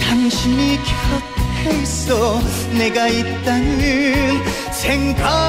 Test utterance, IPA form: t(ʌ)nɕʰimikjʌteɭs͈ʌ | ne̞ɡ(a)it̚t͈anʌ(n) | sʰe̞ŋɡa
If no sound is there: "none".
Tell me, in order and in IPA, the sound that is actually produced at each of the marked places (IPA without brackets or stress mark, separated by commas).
a, a, n